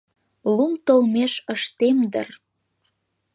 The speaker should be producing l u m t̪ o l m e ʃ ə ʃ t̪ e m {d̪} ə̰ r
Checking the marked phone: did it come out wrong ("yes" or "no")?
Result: no